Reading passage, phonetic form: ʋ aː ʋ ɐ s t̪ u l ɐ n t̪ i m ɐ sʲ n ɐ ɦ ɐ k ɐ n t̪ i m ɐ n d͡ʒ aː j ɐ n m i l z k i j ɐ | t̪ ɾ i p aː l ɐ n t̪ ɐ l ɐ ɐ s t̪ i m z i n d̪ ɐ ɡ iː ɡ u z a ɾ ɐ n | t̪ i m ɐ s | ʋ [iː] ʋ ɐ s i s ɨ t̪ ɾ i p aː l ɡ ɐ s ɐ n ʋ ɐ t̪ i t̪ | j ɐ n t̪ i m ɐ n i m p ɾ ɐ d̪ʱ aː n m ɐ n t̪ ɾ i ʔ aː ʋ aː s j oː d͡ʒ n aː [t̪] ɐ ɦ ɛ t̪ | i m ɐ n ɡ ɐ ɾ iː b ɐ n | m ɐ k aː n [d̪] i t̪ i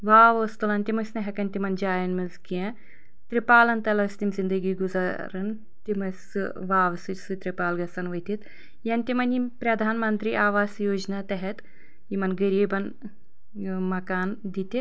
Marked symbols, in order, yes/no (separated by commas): no, yes, yes